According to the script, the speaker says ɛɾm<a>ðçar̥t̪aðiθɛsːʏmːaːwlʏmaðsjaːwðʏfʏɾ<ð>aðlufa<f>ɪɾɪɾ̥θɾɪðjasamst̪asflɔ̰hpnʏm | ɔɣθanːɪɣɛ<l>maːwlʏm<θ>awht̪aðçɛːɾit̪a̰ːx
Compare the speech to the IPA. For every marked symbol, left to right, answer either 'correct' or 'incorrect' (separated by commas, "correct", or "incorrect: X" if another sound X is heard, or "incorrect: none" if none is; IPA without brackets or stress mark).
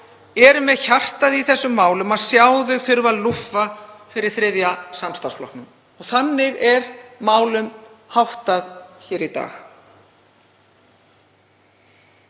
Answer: incorrect: ɛ, incorrect: v, correct, incorrect: ɾ, incorrect: h